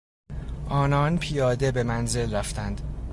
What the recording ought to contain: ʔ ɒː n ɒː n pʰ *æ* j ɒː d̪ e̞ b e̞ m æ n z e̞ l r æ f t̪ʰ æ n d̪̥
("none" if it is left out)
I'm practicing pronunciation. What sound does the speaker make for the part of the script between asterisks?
i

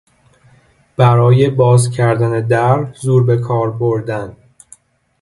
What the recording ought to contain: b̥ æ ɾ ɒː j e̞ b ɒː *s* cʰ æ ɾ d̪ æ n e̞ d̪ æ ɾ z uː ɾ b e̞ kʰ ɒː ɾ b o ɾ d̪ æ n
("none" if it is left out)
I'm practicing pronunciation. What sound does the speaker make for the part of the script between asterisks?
z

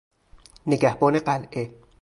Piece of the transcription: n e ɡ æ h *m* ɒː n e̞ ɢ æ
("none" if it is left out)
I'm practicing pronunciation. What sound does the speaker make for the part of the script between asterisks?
b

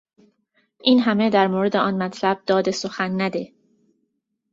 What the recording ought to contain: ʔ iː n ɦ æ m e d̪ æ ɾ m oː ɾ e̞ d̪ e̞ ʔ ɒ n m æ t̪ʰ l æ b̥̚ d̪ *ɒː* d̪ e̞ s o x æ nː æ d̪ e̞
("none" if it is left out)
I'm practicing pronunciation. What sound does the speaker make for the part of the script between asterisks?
ɒː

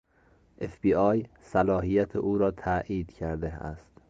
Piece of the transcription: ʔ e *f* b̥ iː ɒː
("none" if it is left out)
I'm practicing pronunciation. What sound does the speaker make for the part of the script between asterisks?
f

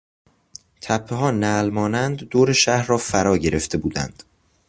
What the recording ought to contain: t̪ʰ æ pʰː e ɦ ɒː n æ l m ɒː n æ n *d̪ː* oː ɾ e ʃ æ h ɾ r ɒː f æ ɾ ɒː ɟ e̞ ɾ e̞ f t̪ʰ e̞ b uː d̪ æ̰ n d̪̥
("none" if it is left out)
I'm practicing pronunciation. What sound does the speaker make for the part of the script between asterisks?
d̪ː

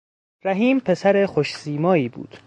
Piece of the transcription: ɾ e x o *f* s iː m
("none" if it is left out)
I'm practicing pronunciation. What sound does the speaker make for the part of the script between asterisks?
ʃ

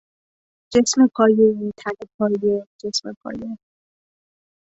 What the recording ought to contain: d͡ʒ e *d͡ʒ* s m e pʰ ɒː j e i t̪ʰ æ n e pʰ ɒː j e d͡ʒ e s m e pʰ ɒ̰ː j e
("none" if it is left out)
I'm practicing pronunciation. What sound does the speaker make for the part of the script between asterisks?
none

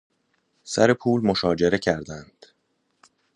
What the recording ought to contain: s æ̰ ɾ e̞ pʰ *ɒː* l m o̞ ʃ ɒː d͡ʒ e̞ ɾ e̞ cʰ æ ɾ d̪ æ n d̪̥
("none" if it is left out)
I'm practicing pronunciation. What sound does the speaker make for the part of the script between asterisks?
uː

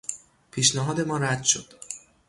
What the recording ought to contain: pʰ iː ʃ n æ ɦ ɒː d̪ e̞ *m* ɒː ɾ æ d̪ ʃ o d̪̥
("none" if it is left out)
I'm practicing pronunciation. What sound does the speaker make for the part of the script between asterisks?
m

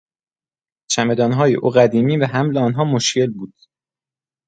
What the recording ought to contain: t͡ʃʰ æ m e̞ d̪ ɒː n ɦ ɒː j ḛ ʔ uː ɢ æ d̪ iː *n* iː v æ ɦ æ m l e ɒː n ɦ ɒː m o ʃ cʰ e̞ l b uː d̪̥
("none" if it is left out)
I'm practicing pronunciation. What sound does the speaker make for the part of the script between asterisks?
m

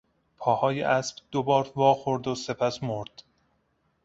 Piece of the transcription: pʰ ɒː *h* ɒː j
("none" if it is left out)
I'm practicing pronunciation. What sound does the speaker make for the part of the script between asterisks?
h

